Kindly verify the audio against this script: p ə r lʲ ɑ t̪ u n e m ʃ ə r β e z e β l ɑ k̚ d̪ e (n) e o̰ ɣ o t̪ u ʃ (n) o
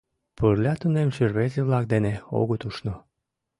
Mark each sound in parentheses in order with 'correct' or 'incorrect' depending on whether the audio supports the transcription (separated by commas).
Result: correct, correct